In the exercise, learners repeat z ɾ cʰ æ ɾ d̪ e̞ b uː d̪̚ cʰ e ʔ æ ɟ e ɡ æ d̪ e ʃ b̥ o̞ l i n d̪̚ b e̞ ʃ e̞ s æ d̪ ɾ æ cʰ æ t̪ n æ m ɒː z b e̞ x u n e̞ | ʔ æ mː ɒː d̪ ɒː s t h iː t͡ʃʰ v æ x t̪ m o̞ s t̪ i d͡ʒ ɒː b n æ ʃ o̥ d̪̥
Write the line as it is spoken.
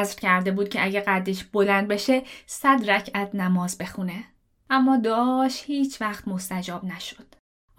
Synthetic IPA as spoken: z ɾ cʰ æ ɾ d̪ e̞ b uː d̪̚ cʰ e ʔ æ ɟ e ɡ æ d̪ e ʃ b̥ o̞ l æ n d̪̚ b e̞ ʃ e̞ s æ d̪ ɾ æ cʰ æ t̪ n æ m ɒː z b e̞ x u n e̞ | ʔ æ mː ɒː d̪ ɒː ʃ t h iː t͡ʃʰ v æ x t̪ m o̞ s t̪ æ d͡ʒ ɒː b n æ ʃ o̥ d̪̥